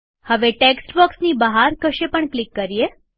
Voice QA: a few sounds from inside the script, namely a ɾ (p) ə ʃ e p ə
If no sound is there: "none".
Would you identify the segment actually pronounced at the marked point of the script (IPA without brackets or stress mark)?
k